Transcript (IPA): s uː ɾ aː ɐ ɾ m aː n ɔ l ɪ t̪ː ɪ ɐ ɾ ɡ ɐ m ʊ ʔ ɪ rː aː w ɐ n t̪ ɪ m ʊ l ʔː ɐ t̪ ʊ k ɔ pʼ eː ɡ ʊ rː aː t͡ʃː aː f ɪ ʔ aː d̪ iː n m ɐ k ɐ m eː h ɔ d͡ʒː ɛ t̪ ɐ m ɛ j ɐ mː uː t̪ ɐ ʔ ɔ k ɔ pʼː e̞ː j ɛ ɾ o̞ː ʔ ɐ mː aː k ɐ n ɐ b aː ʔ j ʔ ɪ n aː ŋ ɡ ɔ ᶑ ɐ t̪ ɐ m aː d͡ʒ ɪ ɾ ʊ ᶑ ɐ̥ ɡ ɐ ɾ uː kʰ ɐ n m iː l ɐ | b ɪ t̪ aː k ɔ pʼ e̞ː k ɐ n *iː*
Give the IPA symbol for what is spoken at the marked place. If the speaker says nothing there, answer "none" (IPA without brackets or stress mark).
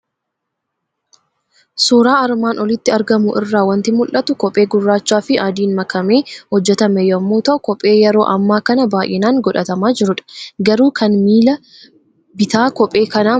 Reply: aː